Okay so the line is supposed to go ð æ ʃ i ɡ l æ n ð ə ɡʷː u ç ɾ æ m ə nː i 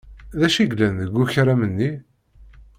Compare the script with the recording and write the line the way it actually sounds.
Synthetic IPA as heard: ð æ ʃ i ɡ l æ n ð ə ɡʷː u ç ɾ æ m ə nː i